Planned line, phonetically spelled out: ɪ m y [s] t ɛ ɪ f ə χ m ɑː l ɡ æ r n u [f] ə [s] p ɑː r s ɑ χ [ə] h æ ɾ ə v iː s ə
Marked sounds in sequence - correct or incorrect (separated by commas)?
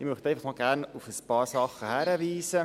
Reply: incorrect, correct, correct, correct